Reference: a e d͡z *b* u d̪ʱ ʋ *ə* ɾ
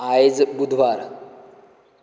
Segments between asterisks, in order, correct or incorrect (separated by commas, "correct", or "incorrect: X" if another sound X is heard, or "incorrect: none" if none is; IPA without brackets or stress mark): correct, incorrect: a